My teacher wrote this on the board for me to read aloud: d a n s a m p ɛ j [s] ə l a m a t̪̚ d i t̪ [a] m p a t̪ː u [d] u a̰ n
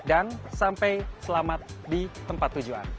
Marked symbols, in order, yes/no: yes, no, no

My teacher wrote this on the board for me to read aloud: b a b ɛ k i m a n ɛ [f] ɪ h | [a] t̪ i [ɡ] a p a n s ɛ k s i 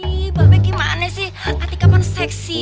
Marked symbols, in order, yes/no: no, yes, no

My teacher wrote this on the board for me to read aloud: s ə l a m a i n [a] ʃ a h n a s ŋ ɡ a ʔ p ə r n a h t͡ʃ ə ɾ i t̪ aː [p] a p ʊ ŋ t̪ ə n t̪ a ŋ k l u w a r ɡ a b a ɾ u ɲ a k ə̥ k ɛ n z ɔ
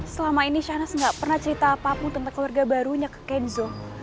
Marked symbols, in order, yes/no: no, yes

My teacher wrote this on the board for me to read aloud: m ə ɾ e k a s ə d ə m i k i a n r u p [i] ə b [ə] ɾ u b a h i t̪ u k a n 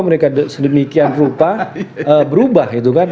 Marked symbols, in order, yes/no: no, yes

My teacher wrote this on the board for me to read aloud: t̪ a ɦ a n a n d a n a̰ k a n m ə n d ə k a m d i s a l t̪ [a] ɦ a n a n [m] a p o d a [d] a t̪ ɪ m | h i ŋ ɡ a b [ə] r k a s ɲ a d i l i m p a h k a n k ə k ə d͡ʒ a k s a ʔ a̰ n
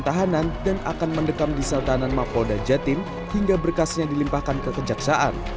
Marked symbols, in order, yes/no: yes, yes, no, yes

